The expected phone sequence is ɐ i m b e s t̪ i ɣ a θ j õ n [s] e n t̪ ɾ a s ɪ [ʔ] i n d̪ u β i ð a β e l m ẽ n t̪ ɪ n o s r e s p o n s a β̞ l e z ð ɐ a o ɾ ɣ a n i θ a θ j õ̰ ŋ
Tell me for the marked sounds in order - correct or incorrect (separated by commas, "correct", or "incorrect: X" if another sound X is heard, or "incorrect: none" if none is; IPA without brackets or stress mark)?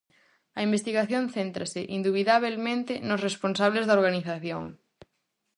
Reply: incorrect: θ, correct